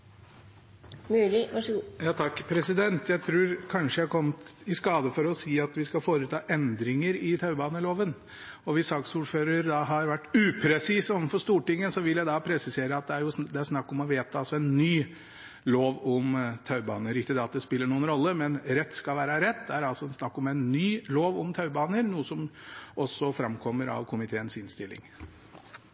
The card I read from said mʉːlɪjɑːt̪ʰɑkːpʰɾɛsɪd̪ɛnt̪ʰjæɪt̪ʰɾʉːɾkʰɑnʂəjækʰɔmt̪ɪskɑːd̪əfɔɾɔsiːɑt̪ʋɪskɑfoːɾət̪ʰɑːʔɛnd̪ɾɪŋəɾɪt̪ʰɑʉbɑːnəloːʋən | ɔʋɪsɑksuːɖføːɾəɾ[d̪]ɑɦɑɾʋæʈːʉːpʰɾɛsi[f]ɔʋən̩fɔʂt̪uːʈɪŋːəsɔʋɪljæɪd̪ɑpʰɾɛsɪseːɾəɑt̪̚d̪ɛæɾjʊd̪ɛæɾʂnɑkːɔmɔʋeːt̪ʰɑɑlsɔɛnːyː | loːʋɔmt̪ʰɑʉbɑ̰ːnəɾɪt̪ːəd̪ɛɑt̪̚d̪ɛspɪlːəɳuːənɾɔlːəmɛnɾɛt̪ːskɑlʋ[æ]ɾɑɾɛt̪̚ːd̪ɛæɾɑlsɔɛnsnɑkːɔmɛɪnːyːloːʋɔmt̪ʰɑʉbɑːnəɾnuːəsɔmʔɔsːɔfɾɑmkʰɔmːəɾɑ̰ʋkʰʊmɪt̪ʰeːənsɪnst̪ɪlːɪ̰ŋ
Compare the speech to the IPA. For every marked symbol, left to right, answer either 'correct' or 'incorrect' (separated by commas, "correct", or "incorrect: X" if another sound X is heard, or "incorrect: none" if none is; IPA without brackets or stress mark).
correct, incorrect: s, incorrect: æː